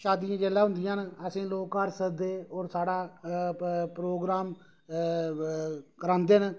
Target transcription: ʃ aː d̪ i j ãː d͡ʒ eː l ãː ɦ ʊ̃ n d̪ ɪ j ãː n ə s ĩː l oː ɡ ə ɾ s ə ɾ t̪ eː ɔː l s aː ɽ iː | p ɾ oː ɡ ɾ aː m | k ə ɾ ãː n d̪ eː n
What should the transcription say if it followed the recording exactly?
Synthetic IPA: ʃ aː d̪ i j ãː d͡ʒ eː l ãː ɦ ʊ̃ n d̪ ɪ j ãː n ə s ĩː l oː k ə ɾ s ə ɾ d̪ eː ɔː ɾ s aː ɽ aː | p ɾ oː ɡ ɾ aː m | k ə ɾ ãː n d̪ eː n